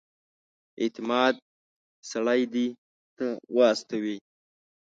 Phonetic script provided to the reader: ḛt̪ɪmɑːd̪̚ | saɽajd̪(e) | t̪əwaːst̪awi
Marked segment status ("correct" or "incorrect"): incorrect